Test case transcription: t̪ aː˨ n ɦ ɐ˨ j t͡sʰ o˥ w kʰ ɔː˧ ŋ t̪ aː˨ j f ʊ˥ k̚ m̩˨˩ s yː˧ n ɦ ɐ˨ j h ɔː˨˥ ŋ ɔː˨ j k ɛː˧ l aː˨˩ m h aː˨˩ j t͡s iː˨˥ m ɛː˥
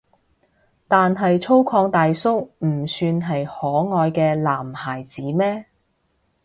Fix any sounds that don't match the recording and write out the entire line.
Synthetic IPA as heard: t̪ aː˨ n ɦ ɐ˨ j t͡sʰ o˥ w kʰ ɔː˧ ŋ t̪ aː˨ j s ʊ˥ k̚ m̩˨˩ s yː˧ n ɦ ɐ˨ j h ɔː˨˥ ŋ ɔː˨ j k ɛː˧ l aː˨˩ m h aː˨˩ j t͡s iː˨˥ m ɛː˥